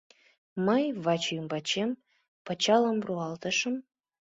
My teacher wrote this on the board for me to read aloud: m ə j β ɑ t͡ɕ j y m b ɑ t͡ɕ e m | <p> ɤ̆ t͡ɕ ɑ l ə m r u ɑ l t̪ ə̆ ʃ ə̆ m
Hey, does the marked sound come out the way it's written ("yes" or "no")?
yes